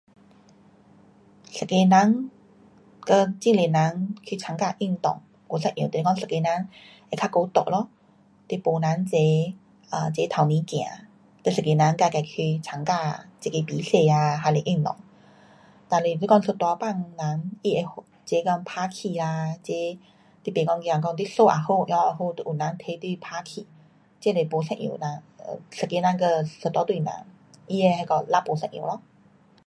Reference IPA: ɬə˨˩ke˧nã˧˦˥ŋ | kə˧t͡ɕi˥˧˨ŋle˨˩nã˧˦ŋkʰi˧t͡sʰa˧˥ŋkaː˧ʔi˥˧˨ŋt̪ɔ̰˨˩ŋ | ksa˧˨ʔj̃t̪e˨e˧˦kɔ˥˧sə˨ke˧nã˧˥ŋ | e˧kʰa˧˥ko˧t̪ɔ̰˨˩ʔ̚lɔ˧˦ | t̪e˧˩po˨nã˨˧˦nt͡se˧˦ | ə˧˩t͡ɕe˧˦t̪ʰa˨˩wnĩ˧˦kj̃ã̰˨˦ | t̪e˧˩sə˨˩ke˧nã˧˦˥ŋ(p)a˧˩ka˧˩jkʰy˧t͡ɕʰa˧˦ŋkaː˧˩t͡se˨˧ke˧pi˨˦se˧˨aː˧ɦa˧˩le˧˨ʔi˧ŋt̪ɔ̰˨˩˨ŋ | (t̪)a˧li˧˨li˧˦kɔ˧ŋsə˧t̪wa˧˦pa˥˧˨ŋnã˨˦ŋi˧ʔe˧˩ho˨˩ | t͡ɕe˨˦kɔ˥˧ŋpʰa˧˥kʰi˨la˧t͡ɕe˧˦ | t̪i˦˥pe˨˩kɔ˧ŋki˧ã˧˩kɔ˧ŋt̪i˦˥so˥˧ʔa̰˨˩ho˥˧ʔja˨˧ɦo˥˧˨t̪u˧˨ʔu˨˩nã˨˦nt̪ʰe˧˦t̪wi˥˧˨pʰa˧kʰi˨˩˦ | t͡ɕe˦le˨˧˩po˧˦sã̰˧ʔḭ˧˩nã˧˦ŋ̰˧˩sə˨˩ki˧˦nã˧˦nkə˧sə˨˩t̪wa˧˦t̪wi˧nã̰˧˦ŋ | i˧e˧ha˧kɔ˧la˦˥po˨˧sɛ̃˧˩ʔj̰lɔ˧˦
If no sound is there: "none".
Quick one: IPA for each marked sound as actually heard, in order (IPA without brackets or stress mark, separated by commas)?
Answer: k, t̪